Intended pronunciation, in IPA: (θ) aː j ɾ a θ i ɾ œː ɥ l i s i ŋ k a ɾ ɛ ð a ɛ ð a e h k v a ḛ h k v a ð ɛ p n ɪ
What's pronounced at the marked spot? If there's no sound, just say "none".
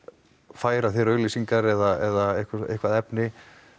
f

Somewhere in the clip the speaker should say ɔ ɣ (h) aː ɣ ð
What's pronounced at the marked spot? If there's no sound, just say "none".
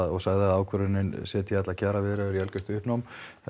s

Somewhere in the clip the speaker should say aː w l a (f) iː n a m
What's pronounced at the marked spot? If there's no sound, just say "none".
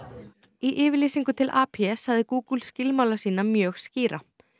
s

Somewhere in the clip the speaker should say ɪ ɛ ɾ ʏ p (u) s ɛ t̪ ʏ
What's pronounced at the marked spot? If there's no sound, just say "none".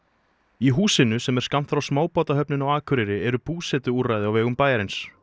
uː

